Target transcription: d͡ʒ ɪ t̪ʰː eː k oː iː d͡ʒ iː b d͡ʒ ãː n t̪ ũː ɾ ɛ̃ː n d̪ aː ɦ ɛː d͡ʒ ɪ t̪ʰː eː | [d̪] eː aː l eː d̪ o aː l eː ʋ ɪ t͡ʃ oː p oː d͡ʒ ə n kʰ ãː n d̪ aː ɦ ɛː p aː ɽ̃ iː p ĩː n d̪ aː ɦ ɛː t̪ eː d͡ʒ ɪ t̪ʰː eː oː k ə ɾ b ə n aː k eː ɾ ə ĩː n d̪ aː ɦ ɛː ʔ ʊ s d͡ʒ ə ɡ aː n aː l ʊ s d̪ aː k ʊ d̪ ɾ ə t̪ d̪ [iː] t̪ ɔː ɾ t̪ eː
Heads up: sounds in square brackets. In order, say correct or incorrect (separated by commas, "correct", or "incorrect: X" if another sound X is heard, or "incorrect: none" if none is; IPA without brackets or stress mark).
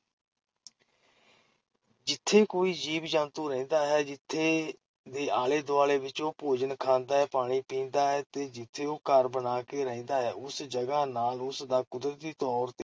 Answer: correct, correct